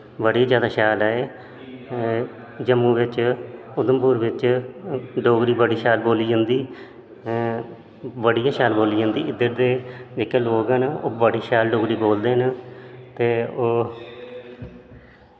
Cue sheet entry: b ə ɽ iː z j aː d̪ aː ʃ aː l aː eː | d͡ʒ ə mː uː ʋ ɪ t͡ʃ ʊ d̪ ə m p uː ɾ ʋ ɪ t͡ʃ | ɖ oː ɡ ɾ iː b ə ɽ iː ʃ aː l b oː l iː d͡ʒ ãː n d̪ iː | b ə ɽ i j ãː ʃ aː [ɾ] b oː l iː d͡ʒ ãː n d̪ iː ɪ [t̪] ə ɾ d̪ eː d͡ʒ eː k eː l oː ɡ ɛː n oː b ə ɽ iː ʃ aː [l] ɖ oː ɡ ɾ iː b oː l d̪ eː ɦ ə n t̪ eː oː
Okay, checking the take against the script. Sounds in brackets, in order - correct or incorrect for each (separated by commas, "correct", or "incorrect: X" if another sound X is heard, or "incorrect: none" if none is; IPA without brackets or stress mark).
incorrect: l, incorrect: d̪, correct